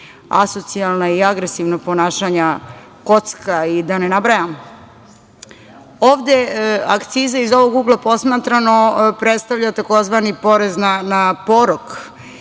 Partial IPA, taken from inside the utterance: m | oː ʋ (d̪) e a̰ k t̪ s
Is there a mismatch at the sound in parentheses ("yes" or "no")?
no